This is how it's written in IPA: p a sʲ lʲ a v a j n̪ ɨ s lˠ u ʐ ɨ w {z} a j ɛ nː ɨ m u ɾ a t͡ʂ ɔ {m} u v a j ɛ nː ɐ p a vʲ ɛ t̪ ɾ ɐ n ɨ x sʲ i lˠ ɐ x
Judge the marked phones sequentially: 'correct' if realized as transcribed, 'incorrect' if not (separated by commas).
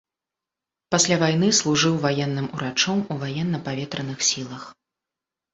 incorrect, correct